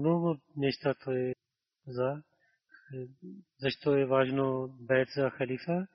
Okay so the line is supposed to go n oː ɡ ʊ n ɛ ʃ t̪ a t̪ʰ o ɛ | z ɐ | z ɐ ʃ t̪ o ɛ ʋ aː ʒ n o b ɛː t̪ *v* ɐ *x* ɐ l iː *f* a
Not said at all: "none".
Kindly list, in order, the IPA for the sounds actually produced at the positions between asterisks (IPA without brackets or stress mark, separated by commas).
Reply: z, x, f